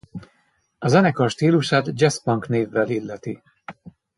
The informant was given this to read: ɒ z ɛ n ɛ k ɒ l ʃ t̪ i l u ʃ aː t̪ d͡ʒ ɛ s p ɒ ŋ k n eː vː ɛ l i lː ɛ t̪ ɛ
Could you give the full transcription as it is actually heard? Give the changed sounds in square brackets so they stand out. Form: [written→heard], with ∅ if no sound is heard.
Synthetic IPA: ɒ z ɛ n ɛ k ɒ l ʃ t̪ [i→iː] l u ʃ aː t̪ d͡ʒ ɛ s p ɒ ŋ k n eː vː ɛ l i lː ɛ t̪ [ɛ→i]